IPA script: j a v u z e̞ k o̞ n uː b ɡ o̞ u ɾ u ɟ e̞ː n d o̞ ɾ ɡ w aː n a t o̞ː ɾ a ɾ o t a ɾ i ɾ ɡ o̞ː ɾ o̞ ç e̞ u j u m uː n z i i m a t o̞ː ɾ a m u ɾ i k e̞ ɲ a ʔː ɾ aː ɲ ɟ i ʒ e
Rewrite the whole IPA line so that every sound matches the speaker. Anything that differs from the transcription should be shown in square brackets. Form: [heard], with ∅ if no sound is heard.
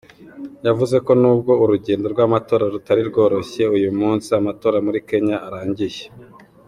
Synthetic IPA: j a v u z e̞ k o̞ n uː b ɡ o̞ u ɾ u ɟ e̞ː n d o̞ ɾ ɡ w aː [m] a t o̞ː ɾ a ɾ [u] t a ɾ i ɾ ɡ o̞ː ɾ o̞ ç e̞ u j u m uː n [s] i [a] m a t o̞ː ɾ a m u ɾ i k e̞ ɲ a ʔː ɾ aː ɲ ɟ i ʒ e